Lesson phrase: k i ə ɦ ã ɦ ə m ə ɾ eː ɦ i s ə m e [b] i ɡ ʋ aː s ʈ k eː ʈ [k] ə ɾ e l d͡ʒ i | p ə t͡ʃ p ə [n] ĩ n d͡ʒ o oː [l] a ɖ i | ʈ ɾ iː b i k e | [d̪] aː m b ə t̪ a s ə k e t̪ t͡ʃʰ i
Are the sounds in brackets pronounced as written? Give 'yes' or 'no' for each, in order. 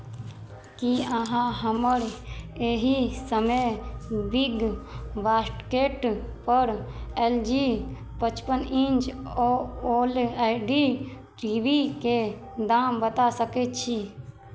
yes, no, yes, yes, yes

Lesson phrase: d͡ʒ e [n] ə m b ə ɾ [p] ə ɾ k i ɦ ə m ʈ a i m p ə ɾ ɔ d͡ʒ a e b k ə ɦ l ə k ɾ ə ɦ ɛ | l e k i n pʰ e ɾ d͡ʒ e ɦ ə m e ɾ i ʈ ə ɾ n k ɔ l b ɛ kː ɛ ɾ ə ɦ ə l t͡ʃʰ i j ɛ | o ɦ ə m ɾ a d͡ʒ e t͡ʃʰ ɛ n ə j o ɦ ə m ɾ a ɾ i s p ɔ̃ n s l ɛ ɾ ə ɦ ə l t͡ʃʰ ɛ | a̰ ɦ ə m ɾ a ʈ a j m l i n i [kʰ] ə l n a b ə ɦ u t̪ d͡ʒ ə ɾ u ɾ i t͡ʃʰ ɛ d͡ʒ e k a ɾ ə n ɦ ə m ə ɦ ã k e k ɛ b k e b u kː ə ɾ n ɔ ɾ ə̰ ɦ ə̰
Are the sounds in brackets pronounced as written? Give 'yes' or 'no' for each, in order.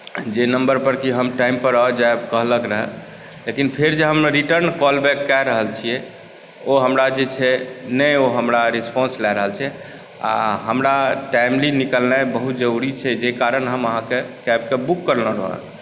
yes, yes, no

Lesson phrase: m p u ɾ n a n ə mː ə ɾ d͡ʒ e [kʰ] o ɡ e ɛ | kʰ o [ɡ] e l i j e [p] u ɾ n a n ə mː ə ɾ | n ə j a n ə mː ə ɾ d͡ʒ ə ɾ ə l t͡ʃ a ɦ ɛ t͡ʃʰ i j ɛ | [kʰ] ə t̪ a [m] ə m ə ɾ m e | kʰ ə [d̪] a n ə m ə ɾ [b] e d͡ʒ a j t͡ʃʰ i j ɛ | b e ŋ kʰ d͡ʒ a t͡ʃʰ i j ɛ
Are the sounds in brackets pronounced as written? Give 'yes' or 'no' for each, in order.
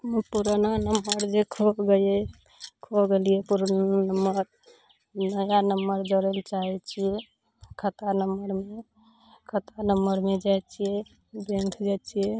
yes, yes, yes, yes, no, no, no

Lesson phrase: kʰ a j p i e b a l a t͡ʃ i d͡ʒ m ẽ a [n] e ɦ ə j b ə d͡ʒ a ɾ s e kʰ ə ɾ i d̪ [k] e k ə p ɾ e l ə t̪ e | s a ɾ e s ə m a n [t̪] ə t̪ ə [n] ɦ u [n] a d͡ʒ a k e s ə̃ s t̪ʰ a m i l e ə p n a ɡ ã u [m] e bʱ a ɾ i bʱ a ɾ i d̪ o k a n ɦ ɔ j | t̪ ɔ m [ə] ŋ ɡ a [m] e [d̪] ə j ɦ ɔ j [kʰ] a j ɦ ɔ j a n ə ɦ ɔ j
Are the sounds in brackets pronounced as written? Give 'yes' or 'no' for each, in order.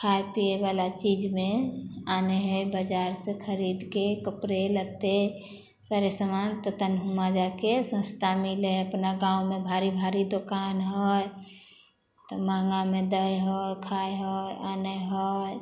yes, yes, yes, yes, no, yes, no, yes, yes, yes

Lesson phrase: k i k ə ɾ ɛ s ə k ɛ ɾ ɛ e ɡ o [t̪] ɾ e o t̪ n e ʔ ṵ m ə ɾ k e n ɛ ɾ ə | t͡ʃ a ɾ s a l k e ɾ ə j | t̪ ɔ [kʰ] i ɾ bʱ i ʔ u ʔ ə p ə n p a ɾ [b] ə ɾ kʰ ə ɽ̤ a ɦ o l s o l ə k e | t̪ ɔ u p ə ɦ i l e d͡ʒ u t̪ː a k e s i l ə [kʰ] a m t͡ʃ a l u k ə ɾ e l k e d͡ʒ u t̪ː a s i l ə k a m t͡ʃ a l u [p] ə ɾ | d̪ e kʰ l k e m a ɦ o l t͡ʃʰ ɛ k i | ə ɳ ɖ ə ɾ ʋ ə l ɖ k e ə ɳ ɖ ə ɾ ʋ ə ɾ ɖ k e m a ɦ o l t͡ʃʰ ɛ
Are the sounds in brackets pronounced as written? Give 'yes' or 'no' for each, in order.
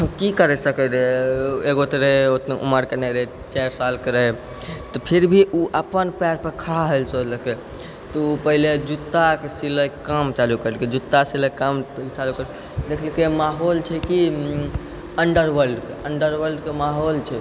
yes, no, no, no, no

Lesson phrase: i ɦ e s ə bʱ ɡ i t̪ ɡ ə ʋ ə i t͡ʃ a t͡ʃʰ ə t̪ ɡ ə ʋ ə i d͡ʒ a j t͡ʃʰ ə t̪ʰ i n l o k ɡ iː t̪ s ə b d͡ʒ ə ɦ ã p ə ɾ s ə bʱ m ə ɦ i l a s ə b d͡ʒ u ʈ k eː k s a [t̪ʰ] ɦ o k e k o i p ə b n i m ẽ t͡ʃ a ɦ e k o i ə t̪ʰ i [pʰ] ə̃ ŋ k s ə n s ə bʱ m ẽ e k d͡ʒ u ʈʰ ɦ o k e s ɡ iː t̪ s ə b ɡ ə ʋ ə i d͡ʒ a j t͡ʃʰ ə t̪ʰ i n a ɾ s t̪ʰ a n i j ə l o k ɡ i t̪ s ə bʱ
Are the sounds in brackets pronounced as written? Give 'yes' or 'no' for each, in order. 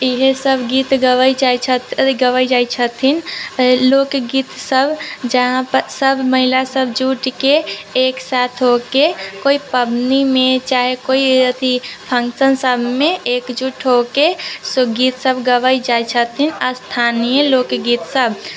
yes, yes

